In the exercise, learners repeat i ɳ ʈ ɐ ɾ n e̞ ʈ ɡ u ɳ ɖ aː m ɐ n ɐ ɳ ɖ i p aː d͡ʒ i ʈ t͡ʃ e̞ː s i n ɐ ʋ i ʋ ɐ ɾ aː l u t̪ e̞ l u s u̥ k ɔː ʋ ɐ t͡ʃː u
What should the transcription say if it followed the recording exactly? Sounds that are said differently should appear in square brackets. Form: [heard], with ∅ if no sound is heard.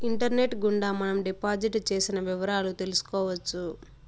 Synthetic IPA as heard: i ɳ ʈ ɐ ɾ n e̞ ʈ ɡ u ɳ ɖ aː m ɐ n ɐ [m] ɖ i p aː d͡ʒ i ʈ t͡ʃ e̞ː s i n ɐ ʋ i ʋ ɐ ɾ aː l u t̪ e̞ l u s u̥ k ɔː ʋ ɐ t͡ʃː u